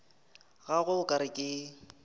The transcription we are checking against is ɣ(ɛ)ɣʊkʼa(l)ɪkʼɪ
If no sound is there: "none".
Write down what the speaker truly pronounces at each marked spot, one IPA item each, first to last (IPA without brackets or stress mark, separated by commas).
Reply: a, ɾ